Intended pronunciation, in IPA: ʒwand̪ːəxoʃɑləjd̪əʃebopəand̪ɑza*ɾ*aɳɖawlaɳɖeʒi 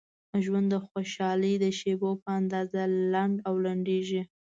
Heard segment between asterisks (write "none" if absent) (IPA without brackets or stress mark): l